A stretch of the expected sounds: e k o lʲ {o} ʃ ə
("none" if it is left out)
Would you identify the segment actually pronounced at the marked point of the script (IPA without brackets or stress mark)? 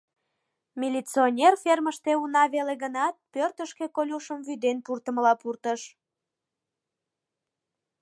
u